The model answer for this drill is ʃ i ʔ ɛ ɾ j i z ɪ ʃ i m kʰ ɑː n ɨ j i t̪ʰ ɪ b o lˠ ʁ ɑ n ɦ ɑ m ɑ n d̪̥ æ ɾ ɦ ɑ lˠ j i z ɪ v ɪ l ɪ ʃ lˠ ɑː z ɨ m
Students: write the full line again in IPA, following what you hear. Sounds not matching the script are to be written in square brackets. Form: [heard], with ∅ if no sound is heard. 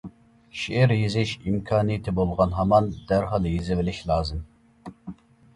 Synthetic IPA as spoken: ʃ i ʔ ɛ ɾ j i z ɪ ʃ i m kʰ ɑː n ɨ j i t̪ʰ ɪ b o lˠ ʁ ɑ n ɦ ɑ m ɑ n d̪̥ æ ɾ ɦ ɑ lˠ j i z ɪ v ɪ l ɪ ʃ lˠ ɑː z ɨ m